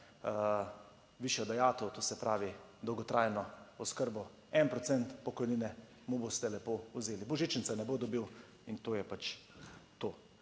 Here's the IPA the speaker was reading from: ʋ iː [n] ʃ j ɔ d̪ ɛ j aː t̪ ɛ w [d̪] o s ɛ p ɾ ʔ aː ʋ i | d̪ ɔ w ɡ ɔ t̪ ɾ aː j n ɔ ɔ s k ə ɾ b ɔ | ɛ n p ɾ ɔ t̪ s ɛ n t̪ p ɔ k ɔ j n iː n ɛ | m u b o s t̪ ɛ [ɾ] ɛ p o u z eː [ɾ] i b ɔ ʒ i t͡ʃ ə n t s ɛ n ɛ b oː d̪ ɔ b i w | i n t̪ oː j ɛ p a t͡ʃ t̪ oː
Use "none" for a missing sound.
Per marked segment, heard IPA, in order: none, t̪, l, l

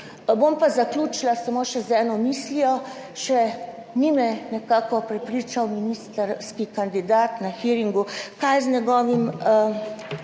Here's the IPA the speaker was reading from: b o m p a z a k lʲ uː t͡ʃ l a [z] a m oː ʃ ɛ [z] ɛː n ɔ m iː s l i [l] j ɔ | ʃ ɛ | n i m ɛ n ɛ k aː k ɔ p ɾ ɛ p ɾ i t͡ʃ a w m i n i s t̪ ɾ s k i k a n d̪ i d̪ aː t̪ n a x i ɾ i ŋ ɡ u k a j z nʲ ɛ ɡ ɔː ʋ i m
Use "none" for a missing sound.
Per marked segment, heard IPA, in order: s, z, none

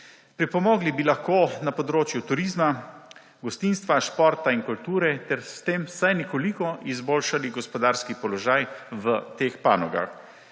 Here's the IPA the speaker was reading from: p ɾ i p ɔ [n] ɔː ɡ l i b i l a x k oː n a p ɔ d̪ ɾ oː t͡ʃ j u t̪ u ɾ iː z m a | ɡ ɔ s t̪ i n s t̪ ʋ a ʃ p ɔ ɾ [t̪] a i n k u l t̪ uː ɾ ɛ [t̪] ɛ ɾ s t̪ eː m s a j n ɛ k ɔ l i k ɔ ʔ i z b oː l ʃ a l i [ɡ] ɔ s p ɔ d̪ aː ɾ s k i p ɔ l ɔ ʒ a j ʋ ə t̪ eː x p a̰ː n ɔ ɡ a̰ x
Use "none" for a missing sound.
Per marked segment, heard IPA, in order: m, t̪, t̪, ɡ

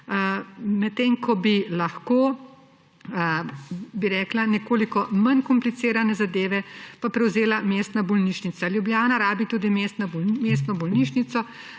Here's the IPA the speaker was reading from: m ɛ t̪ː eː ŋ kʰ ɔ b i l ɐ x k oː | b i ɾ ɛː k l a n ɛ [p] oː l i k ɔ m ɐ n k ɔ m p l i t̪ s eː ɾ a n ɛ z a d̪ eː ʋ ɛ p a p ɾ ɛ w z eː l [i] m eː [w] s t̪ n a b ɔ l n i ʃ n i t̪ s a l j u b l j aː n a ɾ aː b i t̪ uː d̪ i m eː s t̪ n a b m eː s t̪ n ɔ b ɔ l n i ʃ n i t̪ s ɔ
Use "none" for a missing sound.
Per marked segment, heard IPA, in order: k, a, none

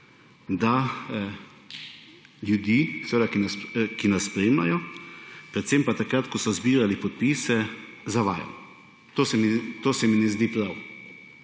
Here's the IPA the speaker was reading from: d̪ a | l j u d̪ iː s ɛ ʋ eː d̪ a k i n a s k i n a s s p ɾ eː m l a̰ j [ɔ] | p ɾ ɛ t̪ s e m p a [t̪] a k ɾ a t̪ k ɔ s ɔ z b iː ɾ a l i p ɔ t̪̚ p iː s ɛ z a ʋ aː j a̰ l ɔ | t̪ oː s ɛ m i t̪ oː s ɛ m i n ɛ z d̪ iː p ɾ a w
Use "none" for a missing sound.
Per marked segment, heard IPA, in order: ɔ, t̪

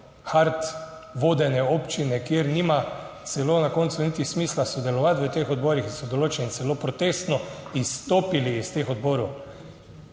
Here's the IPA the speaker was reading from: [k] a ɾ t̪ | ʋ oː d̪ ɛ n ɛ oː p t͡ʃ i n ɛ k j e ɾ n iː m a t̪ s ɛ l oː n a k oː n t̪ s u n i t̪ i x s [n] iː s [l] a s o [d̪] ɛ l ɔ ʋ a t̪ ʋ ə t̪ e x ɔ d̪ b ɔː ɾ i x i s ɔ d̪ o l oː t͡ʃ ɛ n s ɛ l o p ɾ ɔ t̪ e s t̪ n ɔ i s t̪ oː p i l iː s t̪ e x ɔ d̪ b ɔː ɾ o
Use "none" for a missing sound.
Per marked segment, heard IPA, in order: x, m, l, d̪

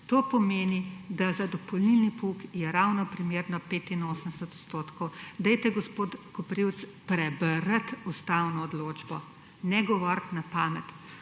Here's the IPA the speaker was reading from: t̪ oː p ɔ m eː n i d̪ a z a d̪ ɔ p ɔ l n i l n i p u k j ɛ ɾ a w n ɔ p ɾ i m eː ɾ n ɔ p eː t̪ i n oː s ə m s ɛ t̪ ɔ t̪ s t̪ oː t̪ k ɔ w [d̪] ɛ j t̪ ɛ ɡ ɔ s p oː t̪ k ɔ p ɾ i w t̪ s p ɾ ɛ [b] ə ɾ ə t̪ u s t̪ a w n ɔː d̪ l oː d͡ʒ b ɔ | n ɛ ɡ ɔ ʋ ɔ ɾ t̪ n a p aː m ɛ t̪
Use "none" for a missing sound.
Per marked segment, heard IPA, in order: d̪, b

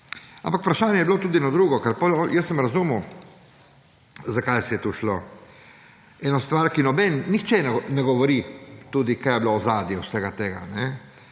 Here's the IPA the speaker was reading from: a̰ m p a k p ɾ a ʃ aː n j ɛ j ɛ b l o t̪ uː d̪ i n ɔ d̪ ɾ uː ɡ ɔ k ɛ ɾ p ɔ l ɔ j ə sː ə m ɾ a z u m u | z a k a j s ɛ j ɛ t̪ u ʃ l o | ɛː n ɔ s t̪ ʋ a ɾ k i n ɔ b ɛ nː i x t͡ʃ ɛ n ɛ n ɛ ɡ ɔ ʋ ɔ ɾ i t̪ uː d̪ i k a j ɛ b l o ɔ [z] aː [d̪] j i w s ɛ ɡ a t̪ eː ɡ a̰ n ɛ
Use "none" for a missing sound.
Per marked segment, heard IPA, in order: z, d̪

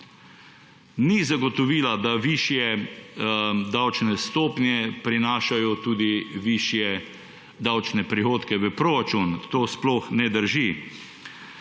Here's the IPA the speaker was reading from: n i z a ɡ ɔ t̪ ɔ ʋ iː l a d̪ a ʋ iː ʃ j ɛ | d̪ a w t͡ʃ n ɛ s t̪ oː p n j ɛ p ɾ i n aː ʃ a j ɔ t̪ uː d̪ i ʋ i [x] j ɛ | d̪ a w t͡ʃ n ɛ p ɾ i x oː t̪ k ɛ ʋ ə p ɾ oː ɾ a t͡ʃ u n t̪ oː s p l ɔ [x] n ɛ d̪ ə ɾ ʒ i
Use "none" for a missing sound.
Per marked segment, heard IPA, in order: ʃ, x

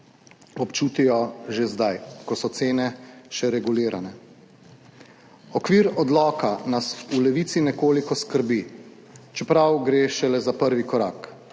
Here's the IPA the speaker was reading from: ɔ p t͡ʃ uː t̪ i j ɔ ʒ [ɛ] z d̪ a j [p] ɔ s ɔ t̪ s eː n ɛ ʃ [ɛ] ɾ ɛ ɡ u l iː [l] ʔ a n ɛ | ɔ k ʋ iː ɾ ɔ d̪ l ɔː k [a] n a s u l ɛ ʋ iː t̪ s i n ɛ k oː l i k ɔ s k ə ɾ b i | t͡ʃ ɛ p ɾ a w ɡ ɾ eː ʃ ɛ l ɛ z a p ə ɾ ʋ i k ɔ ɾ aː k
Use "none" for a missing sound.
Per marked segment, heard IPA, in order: e, k, ɛ, ɾ, a

